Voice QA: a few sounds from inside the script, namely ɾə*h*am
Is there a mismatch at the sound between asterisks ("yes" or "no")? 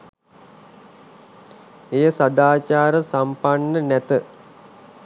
yes